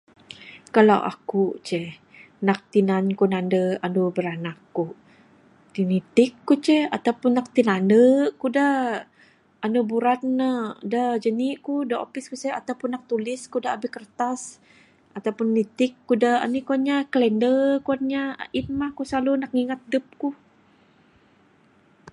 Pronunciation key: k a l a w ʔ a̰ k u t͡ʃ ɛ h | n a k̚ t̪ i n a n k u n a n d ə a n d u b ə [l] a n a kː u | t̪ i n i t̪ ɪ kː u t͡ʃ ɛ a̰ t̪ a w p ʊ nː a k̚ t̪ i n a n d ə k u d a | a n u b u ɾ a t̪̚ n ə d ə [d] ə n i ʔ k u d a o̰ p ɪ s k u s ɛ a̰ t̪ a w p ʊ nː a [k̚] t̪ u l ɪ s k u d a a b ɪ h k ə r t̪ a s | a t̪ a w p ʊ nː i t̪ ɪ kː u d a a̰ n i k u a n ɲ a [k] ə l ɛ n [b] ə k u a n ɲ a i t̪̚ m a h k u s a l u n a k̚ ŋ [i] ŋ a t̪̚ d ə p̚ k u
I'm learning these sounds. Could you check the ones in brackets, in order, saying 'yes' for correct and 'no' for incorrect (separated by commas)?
no, no, yes, yes, no, yes